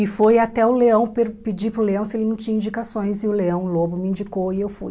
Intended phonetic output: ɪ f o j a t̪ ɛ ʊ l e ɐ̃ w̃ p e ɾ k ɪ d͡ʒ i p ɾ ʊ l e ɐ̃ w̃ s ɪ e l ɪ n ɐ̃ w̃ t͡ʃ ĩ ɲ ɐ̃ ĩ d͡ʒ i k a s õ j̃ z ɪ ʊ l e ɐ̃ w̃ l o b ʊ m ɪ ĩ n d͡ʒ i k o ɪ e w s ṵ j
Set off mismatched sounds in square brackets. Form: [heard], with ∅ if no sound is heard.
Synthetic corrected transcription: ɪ f o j a t̪ ɛ ʊ l e ɐ̃ w̃ p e ɾ [p] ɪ d͡ʒ i p ɾ ʊ l e ɐ̃ w̃ s ɪ e l ɪ n ɐ̃ w̃ t͡ʃ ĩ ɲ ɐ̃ ĩ d͡ʒ i k a s õ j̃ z ɪ ʊ l e ɐ̃ w̃ l o b ʊ m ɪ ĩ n d͡ʒ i k o ɪ e w [f] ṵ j

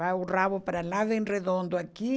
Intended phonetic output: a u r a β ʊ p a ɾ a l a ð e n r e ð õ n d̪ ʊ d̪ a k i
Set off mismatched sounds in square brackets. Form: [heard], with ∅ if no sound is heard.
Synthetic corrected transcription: a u r a β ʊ p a ɾ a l a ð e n r e ð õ n d̪ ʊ [∅] a k i

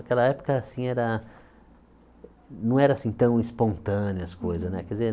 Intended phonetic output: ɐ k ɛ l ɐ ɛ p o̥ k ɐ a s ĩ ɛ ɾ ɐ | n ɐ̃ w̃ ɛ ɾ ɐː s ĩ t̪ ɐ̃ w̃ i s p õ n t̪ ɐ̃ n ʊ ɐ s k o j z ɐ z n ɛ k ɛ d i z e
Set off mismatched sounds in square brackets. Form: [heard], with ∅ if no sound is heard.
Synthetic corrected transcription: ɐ k ɛ l ɐ ɛ p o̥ k ɐ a s ĩ ɛ ɾ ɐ | n ɐ̃ w̃ ɛ ɾ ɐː s ĩ t̪ ɐ̃ w̃ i s p õ n t̪ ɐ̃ n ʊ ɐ s k o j z ɐ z n ɛ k ɛ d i z e

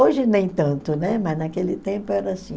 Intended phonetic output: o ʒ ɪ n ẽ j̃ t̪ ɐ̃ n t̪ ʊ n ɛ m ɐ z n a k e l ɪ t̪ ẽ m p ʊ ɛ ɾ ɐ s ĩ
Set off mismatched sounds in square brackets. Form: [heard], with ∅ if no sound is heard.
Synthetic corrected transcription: o ʒ ɪ n ẽ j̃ t̪ ɐ̃ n t̪ ʊ n ɛ m ɐ z n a k e l ɪ t̪ ẽ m p ʊ ɛ ɾ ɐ s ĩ

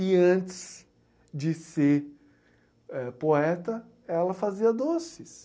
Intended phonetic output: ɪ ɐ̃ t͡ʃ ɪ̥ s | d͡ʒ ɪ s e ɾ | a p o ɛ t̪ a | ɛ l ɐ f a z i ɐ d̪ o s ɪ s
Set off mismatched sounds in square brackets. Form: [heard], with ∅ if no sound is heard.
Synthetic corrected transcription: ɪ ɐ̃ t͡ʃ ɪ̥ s | d͡ʒ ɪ s e ɾ | [ɛ] p o ɛ t̪ [ɐ] | ɛ l ɐ f a z i ɐ d̪ o s ɪ s

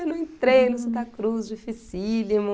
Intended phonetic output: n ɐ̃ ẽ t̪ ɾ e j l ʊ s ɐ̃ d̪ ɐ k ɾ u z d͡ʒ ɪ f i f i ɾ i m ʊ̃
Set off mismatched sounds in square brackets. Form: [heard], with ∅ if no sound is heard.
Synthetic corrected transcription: n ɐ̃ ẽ t̪ ɾ e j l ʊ s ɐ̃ [t̪] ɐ k ɾ u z d͡ʒ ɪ f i [s] i [l] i m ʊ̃

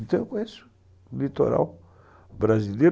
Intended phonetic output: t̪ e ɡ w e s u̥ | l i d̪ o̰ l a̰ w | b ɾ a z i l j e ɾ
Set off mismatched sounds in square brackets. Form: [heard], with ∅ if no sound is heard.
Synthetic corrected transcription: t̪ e [k] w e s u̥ | l i [t̪] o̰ [ɾ] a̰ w | b ɾ a z i l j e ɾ

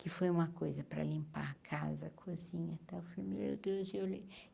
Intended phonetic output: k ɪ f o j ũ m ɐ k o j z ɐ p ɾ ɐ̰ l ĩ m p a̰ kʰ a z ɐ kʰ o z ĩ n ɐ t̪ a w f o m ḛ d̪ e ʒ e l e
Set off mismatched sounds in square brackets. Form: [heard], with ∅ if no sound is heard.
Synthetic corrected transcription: k ɪ f o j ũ m ɐ k o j z ɐ p ɾ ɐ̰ l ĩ m p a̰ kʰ a z ɐ kʰ o z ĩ [ɲ] ɐ t̪ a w f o m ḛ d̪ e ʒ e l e

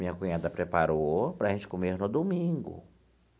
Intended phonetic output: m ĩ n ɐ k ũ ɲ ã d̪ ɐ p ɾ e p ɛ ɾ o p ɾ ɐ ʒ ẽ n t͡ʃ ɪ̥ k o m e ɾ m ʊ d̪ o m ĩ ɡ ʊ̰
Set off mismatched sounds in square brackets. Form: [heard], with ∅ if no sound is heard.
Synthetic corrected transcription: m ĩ [ɲ] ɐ k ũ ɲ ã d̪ ɐ p ɾ e p [a] ɾ o p ɾ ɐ ʒ ẽ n t͡ʃ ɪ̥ k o m e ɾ [n] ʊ d̪ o m ĩ ɡ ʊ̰

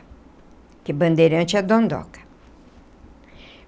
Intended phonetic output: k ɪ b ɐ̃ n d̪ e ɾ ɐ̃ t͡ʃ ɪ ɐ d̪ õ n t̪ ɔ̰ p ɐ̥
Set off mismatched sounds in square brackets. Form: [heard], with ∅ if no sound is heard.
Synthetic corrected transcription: k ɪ b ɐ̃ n d̪ e ɾ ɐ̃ t͡ʃ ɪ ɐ d̪ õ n [d̪] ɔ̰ [k] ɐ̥

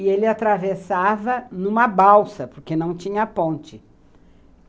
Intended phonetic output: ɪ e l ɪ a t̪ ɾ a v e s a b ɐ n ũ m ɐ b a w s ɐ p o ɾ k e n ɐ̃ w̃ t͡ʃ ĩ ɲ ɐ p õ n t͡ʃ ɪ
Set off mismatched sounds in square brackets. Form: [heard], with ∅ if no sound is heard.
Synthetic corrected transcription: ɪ e l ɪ a t̪ ɾ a v e s a [v] ɐ n ũ m ɐ b a w s ɐ p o ɾ k e n ɐ̃ w̃ t͡ʃ ĩ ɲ ɐ p õ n t͡ʃ ɪ

